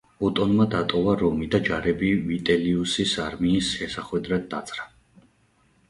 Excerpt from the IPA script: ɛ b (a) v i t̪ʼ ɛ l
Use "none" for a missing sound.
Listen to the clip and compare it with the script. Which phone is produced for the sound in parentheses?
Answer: i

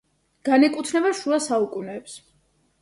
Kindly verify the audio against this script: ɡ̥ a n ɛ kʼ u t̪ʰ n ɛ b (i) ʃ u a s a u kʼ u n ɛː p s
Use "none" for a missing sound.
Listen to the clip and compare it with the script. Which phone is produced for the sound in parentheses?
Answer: a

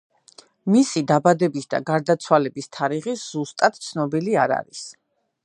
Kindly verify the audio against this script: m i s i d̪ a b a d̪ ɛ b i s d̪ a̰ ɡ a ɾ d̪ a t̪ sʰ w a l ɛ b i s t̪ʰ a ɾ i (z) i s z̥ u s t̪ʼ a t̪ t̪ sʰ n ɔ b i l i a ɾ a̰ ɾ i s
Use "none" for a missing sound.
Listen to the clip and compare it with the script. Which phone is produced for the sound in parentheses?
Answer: ʁ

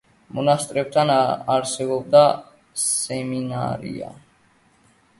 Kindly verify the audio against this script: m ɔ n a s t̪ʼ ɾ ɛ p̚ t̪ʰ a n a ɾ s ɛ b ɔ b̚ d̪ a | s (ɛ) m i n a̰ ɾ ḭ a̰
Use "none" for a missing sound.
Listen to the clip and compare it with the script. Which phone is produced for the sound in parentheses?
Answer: ɛ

